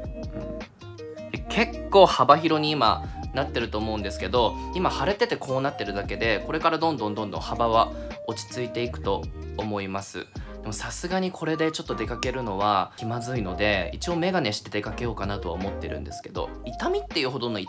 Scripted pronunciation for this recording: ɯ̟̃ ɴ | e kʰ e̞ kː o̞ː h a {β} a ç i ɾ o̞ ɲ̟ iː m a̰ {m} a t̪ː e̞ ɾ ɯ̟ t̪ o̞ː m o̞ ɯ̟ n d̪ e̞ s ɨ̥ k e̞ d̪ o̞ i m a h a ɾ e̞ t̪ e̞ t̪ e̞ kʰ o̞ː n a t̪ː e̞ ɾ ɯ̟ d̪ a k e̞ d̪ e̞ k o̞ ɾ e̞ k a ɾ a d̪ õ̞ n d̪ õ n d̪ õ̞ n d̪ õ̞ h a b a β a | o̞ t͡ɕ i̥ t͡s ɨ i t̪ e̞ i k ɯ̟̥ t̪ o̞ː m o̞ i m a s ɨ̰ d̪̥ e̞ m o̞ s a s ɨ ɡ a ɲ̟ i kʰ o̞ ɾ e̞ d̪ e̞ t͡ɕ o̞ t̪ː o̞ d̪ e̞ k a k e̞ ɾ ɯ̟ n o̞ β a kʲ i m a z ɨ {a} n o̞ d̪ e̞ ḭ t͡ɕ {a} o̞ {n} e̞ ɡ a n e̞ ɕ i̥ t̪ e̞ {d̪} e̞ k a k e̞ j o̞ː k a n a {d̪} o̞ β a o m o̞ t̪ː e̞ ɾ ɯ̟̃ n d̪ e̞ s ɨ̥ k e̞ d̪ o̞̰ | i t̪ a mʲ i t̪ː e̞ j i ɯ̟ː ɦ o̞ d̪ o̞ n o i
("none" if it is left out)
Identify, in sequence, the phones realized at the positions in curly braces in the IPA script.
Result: b, n, i, i, m, d̪, t̪

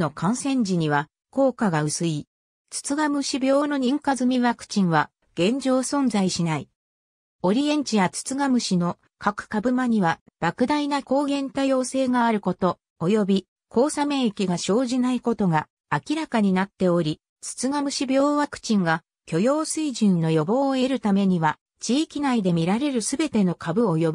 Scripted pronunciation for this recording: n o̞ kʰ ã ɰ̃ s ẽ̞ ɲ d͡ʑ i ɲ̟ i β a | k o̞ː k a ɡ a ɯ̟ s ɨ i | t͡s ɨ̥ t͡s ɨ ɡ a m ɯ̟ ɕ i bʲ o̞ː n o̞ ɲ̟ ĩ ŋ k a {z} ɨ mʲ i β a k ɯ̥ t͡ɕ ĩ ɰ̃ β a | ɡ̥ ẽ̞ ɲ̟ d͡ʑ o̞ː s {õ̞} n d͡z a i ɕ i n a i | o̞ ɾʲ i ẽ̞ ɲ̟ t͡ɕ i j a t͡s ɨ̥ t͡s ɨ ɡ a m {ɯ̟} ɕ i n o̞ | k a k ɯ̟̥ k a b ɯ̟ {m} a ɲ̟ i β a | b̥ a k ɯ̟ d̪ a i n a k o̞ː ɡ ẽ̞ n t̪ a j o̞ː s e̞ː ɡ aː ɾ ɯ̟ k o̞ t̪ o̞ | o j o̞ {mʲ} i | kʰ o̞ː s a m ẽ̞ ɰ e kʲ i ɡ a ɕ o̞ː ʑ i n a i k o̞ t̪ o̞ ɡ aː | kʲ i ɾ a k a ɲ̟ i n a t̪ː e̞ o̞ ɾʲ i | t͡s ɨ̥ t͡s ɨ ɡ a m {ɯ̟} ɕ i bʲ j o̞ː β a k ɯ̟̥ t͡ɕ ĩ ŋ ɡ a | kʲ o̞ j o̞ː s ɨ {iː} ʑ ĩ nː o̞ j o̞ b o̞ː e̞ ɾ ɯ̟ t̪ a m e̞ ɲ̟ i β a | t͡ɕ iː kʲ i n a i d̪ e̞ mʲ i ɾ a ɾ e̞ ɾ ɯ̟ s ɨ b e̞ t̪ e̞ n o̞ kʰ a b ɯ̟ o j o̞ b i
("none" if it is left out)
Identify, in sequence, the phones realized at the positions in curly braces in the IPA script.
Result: z, õ̞, ɯ̟, m, bʲ, ɯ̟, i

